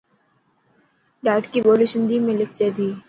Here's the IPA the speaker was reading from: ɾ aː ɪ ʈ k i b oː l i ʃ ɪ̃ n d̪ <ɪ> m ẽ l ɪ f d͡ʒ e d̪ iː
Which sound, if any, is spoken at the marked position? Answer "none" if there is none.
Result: i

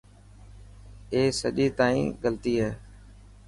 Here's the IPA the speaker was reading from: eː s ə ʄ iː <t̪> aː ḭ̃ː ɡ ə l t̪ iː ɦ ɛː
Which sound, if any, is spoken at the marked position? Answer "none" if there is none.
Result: t̪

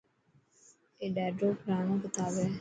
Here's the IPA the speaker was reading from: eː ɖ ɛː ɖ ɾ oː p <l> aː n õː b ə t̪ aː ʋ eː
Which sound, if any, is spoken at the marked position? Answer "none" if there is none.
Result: ɾ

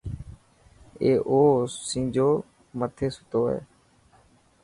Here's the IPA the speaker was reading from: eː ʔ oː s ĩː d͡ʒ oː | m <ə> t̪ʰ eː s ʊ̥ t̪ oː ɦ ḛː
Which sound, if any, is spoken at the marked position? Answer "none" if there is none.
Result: ə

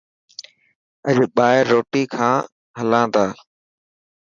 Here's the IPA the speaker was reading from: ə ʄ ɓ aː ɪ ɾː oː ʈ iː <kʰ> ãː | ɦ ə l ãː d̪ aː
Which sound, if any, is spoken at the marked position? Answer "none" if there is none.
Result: kʰ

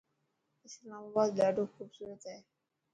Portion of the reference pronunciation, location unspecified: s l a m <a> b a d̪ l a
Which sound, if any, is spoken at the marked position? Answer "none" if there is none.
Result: a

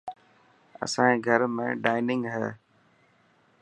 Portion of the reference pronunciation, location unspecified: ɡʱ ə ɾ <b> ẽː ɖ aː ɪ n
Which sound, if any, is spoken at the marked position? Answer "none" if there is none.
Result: m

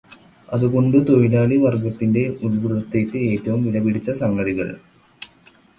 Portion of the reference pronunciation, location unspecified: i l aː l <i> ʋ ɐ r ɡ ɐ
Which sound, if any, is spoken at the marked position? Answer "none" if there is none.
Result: i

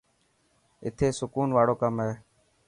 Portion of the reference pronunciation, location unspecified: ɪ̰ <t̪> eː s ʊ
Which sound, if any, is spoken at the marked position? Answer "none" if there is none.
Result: t̪ʰ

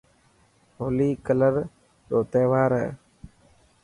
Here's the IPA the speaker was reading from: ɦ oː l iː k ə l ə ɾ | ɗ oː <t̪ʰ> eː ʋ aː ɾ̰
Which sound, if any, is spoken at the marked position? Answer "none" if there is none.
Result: t̪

